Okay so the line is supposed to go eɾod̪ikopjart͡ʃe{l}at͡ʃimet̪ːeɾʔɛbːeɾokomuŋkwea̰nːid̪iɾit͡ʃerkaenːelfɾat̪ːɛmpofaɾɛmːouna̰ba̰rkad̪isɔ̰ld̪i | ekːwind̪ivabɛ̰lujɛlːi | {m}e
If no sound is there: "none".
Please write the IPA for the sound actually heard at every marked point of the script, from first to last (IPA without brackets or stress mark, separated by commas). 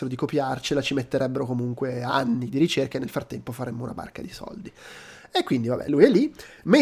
l, m